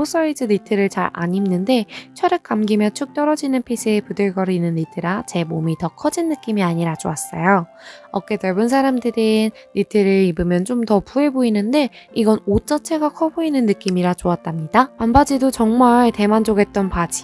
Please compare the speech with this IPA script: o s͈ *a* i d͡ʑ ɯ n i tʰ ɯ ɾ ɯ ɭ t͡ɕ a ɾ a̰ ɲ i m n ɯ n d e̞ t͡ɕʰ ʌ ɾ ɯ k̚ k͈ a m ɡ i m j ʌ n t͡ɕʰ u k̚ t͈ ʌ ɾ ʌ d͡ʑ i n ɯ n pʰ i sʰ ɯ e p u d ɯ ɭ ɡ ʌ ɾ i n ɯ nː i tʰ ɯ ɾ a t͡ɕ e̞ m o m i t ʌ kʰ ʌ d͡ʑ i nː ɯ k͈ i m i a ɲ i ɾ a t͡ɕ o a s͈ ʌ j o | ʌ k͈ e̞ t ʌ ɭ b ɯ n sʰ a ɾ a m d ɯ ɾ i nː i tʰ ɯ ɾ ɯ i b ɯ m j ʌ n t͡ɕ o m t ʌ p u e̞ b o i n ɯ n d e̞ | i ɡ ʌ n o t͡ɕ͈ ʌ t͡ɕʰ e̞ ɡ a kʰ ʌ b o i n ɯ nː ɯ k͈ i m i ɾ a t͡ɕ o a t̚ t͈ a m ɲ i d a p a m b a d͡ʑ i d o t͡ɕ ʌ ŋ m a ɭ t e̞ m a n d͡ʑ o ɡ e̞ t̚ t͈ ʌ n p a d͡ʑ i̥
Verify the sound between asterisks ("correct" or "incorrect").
incorrect